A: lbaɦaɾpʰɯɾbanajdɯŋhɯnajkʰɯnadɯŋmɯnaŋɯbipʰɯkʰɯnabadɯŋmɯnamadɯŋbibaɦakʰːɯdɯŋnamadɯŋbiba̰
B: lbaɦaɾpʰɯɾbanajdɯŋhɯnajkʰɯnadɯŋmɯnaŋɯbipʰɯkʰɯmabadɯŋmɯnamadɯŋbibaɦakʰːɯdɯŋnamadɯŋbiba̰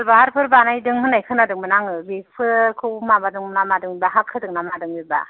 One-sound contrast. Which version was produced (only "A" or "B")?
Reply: B